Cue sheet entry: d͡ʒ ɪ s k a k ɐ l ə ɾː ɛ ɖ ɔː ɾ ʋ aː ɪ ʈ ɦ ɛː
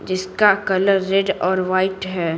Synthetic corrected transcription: d͡ʒ ɪ s k a k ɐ l ə ɾː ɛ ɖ ɔː ɾ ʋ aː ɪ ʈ ɦ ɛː